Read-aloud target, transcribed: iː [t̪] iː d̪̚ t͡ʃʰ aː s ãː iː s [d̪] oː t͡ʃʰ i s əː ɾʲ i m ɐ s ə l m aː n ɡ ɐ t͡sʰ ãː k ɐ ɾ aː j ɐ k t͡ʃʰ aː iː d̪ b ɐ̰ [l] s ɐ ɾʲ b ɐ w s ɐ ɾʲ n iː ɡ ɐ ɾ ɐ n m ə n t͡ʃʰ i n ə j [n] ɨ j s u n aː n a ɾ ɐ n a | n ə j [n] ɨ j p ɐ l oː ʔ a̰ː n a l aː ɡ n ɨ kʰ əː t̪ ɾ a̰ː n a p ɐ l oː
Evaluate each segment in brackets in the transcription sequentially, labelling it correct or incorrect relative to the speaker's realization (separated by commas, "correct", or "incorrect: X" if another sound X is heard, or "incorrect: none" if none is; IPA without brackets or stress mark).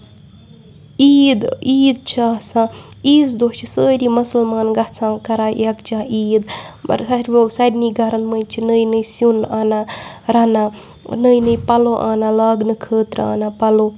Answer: incorrect: d̪, correct, incorrect: ɾ, correct, correct